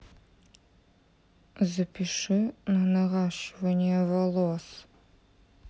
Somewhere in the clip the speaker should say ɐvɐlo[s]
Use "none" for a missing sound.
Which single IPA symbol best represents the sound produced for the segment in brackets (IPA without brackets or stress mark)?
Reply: s